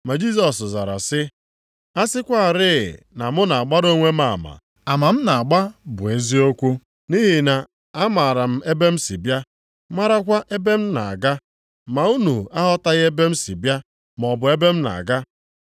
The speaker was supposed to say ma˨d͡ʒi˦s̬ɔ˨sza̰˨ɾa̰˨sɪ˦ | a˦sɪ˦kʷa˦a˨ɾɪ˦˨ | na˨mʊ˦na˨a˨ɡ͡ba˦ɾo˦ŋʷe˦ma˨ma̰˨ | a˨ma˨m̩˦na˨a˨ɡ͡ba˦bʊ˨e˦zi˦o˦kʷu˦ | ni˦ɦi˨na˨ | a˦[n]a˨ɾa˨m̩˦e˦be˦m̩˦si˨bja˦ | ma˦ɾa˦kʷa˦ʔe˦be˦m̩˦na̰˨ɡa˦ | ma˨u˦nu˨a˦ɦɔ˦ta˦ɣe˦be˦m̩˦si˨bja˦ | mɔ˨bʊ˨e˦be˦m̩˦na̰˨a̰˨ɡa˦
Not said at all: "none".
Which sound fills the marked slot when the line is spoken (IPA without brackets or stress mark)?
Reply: m